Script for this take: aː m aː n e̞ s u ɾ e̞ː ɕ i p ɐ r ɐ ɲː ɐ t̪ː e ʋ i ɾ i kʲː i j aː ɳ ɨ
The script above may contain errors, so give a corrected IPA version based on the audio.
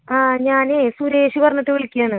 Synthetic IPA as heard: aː ɲ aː n e̞ s u ɾ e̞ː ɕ i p ɐ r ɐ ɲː ɐ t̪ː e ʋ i ɭ i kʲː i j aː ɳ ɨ